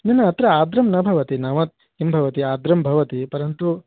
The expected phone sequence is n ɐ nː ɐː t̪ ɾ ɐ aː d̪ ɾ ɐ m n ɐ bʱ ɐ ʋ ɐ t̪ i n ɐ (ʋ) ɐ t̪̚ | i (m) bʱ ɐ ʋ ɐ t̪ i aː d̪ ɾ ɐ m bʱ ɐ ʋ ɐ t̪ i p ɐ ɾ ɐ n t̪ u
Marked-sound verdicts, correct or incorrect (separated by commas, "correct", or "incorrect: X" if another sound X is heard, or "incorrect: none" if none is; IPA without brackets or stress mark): correct, correct